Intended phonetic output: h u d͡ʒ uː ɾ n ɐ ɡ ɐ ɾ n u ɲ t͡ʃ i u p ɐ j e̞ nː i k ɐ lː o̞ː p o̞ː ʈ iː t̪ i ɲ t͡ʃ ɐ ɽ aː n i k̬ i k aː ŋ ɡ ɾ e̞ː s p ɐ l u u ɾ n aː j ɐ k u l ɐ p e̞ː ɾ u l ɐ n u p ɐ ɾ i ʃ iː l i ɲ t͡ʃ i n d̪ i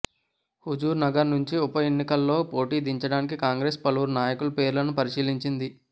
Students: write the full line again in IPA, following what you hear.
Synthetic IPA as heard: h u d͡ʒ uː ɾ n ɐ ɡ ɐ ɾ n u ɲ t͡ʃ i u p ɐ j e̞ nː i k ɐ lː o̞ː p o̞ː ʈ iː d̪ i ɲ t͡ʃ ɐ ɽ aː n i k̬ i k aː ŋ ɡ ɾ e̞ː s p ɐ l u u ɾ n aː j ɐ k u l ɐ p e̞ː ɾ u l ɐ n u p ɐ ɾ i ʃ iː l i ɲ t͡ʃ i n d̪ i